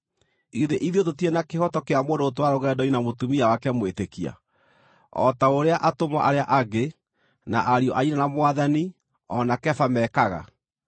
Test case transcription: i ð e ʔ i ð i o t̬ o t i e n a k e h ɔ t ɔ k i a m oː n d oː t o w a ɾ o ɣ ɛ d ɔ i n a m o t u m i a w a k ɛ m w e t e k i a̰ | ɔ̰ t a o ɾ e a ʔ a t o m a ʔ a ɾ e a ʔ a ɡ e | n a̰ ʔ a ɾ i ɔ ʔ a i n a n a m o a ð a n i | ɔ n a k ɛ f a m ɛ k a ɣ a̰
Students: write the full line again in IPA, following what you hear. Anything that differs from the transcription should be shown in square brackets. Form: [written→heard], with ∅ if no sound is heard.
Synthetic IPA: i ð e ʔ i ð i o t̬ o t i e n a k e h ɔ t ɔ k [i→e] a m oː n d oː t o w a ɾ o ɣ ɛ d ɔ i n a m o t u m i a w a k ɛ m w e t e k i a̰ | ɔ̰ t a o ɾ e a ʔ a t o m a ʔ a ɾ e a ʔ a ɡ e | n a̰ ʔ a ɾ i ɔ ʔ a i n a n a m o a ð a n i | ɔ n a k ɛ f a m ɛ k a ɣ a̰